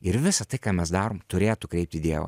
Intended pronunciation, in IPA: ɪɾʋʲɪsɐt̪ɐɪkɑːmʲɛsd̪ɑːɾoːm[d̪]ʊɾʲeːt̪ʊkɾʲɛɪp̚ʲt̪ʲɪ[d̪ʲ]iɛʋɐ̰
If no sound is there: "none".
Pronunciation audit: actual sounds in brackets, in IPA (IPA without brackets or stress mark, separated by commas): t̪, d̪ʲ